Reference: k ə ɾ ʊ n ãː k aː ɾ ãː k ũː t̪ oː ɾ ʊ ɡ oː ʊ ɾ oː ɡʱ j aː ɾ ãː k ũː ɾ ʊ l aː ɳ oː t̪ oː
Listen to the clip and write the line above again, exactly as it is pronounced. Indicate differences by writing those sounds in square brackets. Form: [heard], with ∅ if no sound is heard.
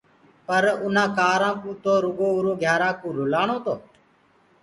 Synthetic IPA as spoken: [p] ə ɾ ʊ n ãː k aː ɾ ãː k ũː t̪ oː ɾ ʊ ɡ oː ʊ ɾ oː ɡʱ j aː ɾ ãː k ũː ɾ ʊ l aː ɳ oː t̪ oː